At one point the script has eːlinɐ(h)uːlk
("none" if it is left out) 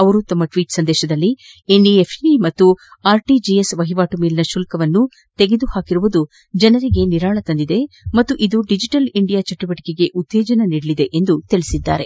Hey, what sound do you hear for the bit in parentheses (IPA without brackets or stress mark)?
ʃ